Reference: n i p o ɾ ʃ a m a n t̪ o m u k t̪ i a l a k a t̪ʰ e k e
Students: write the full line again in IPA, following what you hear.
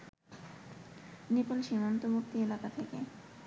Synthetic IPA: n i p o l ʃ i m a n t̪ o m u k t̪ i e l a k a t̪ʰ e k e